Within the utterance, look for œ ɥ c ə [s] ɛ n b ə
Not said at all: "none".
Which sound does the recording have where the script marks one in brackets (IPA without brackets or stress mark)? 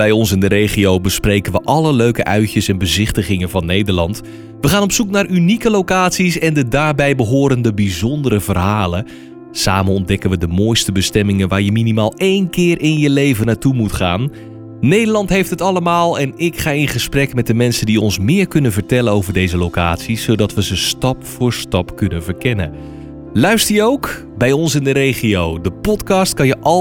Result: s